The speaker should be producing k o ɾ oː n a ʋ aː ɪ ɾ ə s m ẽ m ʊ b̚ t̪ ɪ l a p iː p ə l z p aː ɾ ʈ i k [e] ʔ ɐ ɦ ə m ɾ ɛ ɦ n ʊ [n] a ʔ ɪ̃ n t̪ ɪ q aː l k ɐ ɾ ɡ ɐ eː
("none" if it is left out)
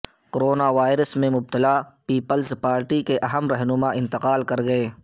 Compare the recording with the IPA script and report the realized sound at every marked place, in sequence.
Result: e, m

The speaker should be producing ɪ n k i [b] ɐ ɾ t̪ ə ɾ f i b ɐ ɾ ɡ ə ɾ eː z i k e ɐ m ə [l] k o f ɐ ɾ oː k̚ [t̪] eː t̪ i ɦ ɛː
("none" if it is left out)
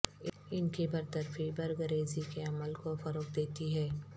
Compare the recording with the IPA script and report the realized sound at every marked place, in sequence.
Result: b, l, d̪

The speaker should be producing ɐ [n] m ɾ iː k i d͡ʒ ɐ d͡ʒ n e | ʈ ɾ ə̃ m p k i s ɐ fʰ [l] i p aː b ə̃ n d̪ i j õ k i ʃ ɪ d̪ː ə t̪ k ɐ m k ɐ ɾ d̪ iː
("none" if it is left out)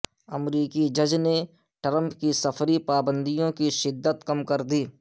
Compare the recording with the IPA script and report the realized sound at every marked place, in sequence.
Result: none, ɾ

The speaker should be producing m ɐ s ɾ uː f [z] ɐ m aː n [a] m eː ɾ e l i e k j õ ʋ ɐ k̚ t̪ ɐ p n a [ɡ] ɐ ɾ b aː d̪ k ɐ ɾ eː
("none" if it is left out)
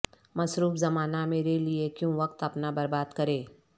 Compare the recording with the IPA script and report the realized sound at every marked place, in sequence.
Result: z, a, b

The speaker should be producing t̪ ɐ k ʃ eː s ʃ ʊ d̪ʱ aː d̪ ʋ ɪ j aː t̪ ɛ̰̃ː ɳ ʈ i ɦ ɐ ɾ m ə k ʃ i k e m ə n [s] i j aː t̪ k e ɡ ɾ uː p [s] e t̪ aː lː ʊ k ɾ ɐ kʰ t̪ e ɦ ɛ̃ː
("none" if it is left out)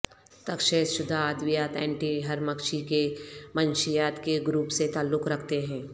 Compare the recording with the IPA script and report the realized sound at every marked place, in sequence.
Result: ʃ, s

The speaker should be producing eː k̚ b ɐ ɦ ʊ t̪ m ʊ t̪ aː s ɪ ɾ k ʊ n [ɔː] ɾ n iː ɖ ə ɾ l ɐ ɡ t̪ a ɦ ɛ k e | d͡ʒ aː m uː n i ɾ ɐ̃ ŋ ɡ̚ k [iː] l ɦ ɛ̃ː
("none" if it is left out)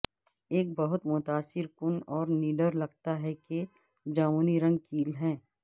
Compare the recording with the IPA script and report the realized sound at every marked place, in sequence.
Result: ɔː, iː

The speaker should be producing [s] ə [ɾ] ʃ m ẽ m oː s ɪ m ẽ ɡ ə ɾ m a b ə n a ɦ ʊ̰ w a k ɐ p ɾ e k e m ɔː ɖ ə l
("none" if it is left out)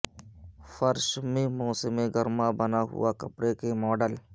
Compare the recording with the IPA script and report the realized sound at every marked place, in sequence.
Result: f, ɾ

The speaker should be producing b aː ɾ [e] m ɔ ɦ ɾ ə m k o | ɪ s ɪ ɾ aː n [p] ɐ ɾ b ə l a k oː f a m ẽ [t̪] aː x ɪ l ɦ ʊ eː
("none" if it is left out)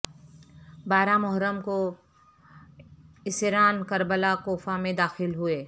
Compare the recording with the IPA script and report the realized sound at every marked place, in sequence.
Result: a, k, d̪

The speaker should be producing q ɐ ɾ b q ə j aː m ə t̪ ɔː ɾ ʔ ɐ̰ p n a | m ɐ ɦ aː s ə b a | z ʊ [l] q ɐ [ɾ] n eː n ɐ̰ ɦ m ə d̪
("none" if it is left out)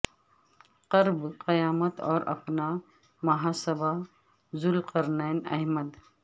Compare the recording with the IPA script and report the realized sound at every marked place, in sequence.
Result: l, ɾ

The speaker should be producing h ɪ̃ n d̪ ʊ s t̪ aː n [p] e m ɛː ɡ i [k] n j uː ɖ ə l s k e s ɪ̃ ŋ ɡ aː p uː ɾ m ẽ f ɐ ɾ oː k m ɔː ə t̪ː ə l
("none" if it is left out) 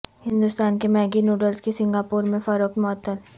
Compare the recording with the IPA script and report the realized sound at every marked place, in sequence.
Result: k, none

